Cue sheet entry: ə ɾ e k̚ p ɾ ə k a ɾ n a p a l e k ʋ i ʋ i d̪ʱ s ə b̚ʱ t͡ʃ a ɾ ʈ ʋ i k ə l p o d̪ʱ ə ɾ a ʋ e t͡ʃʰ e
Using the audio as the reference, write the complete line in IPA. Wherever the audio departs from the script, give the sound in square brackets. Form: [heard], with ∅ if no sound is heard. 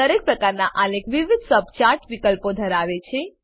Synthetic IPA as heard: ə ɾ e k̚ p ɾ ə k a ɾ n a [ʔ] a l e k ʋ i ʋ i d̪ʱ s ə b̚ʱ t͡ʃ a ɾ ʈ ʋ i k ə l p o d̪ʱ ə ɾ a ʋ e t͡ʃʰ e